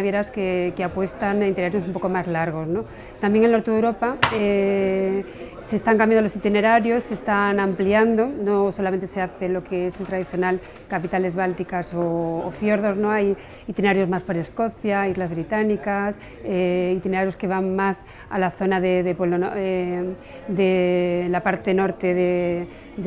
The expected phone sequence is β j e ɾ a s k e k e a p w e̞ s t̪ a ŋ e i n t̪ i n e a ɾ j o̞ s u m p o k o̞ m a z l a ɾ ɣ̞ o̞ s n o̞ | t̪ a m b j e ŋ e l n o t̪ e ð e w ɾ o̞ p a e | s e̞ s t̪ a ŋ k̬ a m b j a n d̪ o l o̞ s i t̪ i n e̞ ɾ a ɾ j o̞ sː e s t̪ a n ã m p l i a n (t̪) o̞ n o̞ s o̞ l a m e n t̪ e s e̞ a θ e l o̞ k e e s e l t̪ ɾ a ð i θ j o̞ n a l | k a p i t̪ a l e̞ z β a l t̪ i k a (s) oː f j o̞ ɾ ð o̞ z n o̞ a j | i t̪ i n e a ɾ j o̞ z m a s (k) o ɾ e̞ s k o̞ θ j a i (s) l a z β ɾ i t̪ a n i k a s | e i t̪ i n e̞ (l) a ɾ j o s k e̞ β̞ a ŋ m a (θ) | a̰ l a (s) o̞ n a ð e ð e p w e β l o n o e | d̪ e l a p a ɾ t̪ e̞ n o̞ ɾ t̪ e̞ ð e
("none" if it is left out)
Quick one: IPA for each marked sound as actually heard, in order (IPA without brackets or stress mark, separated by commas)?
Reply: d̪, s, p, z, ɾ, s, θ